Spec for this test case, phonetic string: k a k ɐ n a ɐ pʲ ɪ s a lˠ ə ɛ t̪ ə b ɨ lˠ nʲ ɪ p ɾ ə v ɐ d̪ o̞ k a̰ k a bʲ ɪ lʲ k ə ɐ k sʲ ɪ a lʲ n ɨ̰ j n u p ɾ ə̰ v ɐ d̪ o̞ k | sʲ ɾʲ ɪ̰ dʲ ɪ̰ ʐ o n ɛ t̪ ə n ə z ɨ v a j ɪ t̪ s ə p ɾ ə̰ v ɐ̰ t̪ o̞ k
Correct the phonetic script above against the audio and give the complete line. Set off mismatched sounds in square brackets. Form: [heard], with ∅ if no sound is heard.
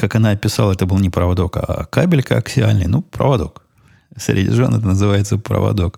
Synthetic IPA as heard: k a k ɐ n a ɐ pʲ ɪ s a lˠ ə ɛ t̪ ə b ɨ lˠ nʲ ɪ p ɾ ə v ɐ d̪ o̞ k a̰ k a bʲ ɪ lʲ k ə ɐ k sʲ ɪ a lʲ n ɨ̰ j n u p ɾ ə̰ v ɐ d̪ o̞ k | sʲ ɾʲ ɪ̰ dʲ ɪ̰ ʐ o n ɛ t̪ ə n ə z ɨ v a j ɪ t̪ s ə p ɾ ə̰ v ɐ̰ [d̪] o̞ k